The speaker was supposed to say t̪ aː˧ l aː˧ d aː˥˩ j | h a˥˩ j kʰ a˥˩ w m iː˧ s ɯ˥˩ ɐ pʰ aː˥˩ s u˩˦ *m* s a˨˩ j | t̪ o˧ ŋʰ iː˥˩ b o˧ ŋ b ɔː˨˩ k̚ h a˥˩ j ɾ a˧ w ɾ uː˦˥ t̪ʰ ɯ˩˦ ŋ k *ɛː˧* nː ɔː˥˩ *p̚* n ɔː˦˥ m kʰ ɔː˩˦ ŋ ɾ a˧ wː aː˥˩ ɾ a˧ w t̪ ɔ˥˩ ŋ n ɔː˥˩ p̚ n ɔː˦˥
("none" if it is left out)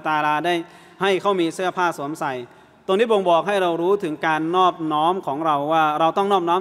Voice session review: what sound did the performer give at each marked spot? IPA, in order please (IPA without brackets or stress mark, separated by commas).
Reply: m, aː˧, p̚